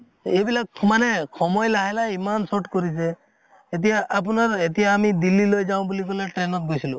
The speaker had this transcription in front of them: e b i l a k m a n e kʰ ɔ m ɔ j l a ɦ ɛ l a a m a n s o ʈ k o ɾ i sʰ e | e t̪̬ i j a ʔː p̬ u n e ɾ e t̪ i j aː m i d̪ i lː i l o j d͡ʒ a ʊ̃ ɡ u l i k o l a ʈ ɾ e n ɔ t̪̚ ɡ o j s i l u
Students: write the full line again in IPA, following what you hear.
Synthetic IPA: e b i l a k m a n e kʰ ɔ m ɔ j l a ɦ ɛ l a i m a n s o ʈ k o ɾ i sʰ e | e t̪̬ i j a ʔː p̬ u n a ɾ e t̪ i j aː m i d̪ i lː i l o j d͡ʒ a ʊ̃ b u l i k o l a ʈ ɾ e n ɔ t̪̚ ɡ o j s i l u